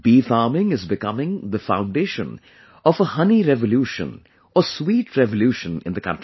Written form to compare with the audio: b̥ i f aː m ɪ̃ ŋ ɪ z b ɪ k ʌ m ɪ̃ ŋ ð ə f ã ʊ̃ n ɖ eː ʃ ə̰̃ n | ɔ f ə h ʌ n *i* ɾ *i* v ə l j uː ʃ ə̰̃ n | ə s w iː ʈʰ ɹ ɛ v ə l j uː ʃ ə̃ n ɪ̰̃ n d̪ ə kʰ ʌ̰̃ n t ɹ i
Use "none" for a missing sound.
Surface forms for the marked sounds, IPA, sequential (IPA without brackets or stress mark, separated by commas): i, ɛ